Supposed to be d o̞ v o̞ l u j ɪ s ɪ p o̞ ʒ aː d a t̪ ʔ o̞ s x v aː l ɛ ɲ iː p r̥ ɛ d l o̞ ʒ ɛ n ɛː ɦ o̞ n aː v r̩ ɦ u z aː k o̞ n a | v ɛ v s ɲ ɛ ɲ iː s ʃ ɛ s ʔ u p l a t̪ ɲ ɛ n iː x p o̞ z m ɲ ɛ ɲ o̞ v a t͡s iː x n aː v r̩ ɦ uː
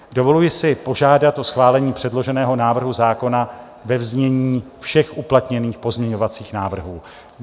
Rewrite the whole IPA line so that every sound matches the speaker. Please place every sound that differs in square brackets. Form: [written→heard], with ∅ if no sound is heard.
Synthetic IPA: d o̞ v o̞ l u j ɪ s ɪ p o̞ ʒ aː d a t̪ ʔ o̞ s x v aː l ɛ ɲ iː p r̥ ɛ d l o̞ ʒ ɛ n ɛː ɦ o̞ n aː v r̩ ɦ u z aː k o̞ n a | v ɛ v [s→z] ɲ ɛ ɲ iː [s→f] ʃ ɛ [s→x] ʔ u p l a t̪ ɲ ɛ n iː x p o̞ z m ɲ ɛ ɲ o̞ v a t͡s iː x n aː v r̩ ɦ uː